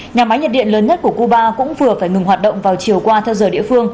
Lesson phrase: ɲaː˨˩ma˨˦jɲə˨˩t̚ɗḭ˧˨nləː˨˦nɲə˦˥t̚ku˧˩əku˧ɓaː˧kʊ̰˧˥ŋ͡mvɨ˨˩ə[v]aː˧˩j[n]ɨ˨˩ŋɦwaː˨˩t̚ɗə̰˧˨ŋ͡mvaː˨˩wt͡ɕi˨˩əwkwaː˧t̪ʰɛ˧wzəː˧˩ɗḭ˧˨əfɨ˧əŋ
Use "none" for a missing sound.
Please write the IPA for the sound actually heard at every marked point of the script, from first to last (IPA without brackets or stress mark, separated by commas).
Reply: f, ŋ